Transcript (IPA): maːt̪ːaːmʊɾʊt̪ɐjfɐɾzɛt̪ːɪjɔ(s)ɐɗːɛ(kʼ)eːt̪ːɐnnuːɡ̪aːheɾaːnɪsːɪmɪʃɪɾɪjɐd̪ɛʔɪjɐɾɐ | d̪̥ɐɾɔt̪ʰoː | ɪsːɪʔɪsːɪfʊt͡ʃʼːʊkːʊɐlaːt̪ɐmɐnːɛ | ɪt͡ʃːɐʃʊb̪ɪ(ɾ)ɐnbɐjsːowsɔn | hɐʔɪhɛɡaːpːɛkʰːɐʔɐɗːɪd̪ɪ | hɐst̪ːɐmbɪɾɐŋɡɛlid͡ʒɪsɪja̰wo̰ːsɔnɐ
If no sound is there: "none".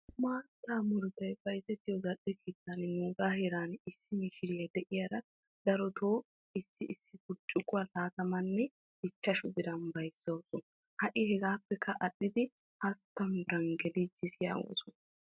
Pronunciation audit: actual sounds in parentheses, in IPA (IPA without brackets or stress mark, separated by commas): z, k, ɾ